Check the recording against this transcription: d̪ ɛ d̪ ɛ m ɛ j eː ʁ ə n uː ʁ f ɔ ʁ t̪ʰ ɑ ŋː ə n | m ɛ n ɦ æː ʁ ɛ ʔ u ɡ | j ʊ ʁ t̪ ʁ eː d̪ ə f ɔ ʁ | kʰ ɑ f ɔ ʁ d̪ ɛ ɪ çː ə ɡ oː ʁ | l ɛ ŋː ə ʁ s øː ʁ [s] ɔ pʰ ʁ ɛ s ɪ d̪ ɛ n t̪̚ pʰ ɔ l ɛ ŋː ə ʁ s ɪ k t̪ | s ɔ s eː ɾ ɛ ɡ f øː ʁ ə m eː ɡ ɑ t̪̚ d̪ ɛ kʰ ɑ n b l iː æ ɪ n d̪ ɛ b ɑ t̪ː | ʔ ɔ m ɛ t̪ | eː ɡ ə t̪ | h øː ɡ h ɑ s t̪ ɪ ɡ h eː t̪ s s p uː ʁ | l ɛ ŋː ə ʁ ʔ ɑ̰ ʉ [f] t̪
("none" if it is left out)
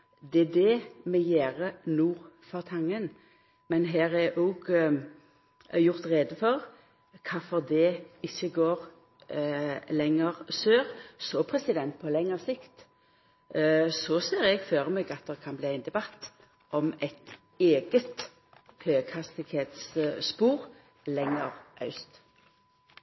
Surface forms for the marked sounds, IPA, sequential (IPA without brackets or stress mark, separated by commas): s, s